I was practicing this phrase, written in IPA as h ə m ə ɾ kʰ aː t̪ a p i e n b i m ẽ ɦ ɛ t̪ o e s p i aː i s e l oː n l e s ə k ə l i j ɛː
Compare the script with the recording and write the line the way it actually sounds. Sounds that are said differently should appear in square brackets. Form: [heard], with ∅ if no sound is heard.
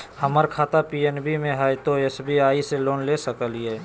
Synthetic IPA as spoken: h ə m ə ɾ kʰ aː t̪ a p i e n b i m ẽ ɦ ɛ t̪ o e s [b] i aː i s e l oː n l e s ə k ə l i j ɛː